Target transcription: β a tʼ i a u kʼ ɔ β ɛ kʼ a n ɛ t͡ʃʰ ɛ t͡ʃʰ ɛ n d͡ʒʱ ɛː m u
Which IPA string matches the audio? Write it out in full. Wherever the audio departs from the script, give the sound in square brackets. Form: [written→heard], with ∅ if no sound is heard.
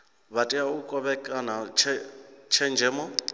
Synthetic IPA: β a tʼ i a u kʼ ɔ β ɛ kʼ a n [ɛ→a] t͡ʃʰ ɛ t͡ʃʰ ɛ n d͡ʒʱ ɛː m [u→ɔ]